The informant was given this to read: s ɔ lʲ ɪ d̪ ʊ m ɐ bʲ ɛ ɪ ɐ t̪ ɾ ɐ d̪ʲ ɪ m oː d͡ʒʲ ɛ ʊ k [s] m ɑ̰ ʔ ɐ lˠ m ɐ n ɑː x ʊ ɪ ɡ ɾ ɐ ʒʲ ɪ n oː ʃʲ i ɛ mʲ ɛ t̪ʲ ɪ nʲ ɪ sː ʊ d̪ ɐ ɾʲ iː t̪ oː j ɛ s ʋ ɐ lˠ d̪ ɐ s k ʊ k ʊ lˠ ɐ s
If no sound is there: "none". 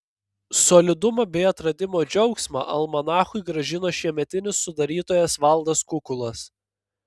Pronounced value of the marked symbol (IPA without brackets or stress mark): s